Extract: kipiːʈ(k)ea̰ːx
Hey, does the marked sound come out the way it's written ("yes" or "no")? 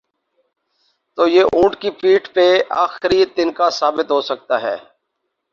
no